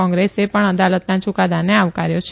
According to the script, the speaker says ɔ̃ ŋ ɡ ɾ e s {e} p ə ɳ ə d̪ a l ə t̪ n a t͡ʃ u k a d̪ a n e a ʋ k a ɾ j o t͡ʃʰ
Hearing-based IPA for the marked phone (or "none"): e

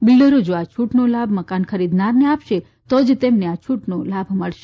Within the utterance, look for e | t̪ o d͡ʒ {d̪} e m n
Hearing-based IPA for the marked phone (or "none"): t̪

